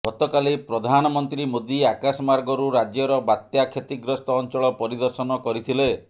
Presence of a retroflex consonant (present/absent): present